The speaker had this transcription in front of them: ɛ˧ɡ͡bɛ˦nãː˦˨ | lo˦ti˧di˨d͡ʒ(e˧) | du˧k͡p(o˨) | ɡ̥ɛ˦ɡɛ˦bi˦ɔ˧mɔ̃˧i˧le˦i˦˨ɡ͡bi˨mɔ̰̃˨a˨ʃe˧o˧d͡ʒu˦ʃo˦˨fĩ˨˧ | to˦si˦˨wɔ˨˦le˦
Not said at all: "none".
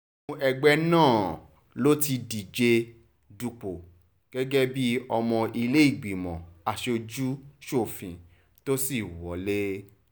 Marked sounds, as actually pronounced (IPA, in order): e˧, o˨

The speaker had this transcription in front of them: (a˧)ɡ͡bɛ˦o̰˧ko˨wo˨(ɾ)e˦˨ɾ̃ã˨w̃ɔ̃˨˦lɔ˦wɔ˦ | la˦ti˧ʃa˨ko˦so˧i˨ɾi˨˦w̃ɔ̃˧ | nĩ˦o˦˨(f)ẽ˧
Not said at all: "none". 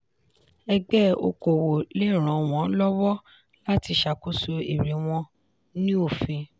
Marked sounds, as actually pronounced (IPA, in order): ɛ˧, l, f

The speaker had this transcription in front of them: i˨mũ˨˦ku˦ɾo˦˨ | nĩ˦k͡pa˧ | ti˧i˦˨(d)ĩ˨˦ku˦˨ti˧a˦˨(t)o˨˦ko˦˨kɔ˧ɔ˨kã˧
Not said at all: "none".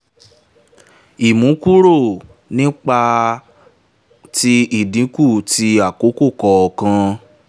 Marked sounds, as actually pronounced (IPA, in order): d, k

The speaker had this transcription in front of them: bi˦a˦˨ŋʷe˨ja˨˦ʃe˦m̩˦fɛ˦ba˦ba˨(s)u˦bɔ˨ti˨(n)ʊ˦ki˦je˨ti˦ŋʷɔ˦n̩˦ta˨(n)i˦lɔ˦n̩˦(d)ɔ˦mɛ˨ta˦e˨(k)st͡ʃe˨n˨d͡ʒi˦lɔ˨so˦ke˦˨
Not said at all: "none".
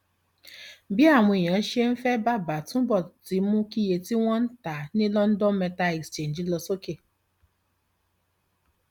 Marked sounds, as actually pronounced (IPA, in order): t, m, n, d, k

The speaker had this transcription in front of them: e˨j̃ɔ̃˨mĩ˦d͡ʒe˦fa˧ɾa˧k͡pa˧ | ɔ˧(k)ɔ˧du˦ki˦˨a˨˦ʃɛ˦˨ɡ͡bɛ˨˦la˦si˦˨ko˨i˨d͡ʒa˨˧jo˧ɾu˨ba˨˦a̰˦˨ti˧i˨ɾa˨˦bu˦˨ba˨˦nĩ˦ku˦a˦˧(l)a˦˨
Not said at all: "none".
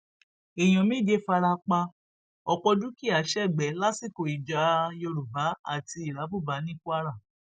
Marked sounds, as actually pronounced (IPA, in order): k͡p, ɾ

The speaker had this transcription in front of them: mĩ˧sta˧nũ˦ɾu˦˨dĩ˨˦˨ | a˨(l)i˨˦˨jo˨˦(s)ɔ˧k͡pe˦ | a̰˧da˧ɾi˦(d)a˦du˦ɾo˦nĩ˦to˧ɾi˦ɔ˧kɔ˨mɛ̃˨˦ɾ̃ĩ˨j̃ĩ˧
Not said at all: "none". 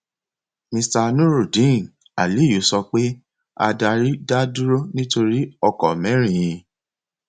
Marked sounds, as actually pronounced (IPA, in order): l, s, d

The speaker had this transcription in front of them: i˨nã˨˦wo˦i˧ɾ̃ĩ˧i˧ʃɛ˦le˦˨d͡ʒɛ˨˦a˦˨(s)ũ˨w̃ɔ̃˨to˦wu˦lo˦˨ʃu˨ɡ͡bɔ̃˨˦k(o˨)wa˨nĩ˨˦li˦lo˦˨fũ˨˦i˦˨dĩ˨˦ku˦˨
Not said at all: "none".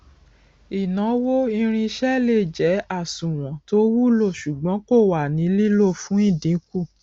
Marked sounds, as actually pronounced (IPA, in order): s, o˦˨

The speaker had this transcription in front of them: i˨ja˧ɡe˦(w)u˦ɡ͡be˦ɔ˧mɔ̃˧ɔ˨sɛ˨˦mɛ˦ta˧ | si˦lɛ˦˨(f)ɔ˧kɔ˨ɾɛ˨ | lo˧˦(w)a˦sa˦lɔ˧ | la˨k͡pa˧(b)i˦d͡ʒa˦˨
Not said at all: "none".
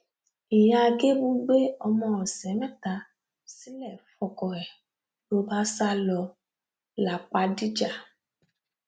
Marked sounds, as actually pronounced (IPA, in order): b, f, b, d

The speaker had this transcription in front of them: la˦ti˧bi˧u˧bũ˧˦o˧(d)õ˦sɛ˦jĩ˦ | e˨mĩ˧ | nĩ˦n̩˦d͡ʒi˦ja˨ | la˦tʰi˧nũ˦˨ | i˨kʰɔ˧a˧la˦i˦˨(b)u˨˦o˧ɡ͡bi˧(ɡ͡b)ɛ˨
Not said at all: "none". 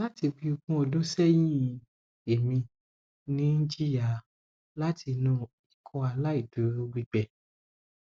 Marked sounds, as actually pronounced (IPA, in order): d, d, ɡ͡b

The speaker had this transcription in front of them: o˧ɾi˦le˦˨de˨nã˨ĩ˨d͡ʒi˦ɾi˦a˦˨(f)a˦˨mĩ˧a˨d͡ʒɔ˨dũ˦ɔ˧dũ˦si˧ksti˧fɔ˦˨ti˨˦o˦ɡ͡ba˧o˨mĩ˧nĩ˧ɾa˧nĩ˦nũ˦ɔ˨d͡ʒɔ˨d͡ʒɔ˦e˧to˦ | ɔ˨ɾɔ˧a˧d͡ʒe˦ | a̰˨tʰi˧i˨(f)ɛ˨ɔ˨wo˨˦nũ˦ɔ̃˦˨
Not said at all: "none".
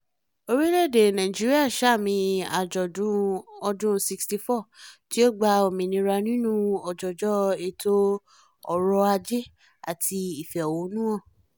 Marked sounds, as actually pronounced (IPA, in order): ʃ, f

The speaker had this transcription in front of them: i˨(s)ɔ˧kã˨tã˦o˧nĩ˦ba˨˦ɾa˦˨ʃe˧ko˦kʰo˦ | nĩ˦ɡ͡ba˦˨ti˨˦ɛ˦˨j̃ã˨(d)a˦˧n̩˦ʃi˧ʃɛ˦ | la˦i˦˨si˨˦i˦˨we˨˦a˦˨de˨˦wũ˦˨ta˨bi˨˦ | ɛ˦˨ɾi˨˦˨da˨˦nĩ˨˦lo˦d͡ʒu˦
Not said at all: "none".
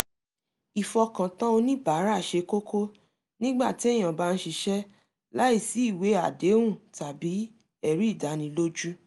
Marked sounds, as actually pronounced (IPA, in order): f, b

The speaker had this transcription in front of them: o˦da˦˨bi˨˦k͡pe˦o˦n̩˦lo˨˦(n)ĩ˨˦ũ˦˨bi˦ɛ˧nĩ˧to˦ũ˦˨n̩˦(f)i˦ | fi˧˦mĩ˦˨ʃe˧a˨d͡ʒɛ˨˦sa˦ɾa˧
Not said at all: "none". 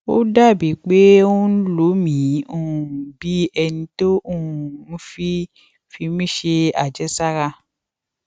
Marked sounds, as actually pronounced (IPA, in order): m, f

